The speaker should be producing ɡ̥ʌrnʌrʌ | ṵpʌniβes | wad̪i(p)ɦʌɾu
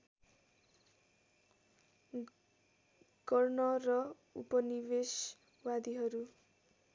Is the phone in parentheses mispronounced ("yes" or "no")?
yes